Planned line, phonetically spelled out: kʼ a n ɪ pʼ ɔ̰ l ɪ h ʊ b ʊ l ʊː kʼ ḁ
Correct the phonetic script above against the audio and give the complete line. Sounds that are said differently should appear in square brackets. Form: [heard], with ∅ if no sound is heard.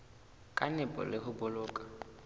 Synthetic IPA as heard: kʼ a n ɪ pʼ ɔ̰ l ɪ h ʊ b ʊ l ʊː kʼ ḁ